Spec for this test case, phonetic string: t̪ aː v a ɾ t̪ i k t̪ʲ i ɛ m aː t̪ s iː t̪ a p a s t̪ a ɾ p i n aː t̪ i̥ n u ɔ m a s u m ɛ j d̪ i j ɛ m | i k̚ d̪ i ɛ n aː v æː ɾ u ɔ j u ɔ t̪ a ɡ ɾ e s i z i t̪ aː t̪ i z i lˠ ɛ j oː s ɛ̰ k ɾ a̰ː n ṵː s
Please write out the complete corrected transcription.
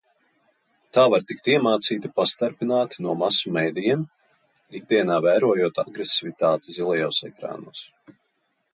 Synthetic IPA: t̪ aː v a ɾ t̪ i k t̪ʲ i ɛ m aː t̪ s iː t̪ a p a s t̪ a ɾ p i n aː t̪ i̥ n u ɔ m a s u m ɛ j d̪ i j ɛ m | i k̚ d̪ i ɛ n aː v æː ɾ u ɔ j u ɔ t̪ a ɡ ɾ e s i v i t̪ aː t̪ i z i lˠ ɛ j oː s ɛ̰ k ɾ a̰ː n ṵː s